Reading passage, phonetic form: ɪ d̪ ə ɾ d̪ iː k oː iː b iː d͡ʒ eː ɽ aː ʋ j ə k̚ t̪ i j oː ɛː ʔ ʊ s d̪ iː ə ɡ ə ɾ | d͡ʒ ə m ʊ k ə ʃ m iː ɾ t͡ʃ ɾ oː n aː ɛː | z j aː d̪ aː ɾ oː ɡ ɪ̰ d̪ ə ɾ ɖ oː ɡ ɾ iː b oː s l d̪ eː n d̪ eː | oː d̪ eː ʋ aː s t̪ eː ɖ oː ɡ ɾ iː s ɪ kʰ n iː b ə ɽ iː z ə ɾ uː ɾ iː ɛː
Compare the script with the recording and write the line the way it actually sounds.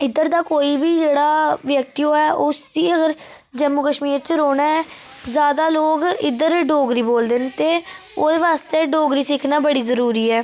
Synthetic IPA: ɪ d̪ ə ɾ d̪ aː k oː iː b iː d͡ʒ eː ɽ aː ʋ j ə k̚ t̪ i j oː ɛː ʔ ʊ s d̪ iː ə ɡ ə ɾ | d͡ʒ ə m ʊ k ə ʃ m iː ɾ t͡ʃ ɾ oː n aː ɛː | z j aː d̪ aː l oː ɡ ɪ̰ d̪ ə ɾ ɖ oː ɡ ɾ iː b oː l d̪ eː n t̪ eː | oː d̪ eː ʋ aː s t̪ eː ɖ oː ɡ ɾ iː s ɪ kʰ n aː b ə ɽ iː z ə ɾ uː ɾ iː ɛː